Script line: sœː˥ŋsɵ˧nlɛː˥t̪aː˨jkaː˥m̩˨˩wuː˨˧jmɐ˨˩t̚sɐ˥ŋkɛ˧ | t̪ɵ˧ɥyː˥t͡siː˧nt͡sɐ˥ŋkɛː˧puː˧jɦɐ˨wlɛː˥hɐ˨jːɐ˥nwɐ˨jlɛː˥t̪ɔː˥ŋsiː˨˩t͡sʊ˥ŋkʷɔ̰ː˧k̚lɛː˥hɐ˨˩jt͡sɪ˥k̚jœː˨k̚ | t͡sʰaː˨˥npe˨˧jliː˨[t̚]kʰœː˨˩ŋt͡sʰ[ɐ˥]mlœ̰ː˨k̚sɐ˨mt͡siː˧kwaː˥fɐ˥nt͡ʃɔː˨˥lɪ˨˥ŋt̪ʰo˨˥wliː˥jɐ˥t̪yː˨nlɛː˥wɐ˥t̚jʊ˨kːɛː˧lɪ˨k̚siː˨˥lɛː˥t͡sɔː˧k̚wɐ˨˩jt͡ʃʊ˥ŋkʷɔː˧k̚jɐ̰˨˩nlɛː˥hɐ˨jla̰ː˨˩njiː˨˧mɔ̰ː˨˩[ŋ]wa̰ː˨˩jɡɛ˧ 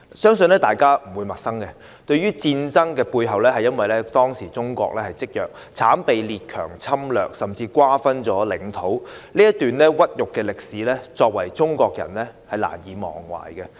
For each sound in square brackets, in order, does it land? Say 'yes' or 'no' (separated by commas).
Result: yes, yes, yes